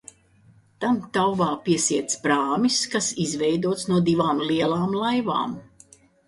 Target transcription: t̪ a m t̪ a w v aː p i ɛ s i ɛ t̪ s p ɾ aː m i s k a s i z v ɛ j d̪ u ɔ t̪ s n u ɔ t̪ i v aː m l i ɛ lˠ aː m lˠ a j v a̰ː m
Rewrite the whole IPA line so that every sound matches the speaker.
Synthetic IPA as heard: t̪ a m t̪ a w v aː p i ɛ s i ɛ t̪ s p ɾ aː m i s k a s i z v ɛ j d̪ u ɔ t̪ s n u ɔ d̪ i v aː m l i ɛ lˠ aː m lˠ a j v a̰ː m